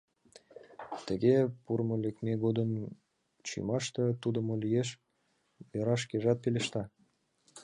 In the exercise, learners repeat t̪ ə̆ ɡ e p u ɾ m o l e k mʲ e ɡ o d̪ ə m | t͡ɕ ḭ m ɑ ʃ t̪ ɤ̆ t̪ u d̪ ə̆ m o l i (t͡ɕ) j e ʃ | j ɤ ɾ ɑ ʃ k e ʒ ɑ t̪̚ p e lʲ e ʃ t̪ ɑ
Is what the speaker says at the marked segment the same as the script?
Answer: no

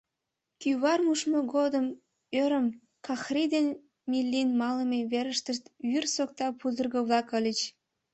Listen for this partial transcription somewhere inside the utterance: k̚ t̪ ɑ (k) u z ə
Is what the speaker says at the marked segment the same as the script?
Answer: no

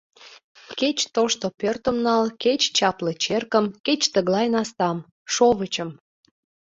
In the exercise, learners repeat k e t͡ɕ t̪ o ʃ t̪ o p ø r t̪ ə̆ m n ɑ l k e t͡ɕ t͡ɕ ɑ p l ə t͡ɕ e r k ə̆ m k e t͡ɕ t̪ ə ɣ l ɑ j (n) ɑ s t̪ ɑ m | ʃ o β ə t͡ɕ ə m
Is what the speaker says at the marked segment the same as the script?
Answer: yes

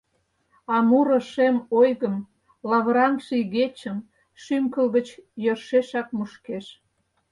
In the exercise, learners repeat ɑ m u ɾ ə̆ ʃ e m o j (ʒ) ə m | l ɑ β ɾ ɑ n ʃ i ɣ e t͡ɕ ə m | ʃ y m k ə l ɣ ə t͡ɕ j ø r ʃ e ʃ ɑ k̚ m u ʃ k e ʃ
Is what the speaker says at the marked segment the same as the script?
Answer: no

